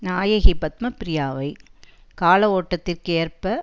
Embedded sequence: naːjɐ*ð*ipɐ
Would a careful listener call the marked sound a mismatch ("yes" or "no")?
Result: yes